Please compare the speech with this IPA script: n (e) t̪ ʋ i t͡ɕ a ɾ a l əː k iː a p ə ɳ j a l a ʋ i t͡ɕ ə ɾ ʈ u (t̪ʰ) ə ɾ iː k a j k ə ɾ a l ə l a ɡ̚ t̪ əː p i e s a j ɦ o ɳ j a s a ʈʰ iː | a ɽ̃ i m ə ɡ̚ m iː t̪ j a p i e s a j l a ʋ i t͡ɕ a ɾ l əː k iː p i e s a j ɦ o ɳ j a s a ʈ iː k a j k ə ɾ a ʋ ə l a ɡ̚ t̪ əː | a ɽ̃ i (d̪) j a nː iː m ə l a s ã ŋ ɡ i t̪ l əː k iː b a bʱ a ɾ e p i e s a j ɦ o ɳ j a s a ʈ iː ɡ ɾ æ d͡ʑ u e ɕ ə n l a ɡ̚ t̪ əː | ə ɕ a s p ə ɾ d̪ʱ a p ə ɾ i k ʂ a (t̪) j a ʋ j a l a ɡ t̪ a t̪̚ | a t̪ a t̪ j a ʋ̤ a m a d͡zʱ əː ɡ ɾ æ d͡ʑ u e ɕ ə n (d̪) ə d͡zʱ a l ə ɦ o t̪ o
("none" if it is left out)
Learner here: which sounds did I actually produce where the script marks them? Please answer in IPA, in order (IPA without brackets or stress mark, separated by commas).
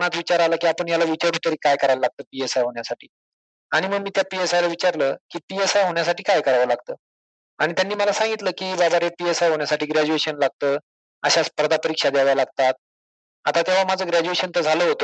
a, t̪, t̪, d̪, t̪